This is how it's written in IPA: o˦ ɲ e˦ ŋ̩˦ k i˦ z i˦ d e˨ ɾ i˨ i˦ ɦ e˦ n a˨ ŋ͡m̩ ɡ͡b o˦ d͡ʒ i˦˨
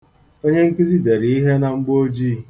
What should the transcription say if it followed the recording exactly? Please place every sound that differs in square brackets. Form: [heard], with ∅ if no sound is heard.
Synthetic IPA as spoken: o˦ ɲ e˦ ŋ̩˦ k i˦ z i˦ d e˨ ɾ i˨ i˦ ɦ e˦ n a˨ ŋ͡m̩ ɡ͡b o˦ d͡ʒ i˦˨